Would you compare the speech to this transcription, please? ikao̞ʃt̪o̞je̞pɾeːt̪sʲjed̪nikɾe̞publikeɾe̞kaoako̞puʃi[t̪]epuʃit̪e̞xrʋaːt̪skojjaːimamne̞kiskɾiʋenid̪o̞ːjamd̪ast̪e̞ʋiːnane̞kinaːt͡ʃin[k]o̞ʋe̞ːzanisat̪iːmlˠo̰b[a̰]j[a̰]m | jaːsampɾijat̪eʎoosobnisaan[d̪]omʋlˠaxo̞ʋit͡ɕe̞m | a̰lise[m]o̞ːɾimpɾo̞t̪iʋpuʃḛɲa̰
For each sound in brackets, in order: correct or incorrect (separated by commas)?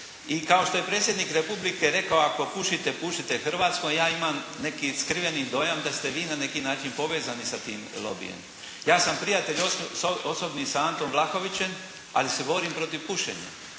correct, incorrect, incorrect, incorrect, incorrect, incorrect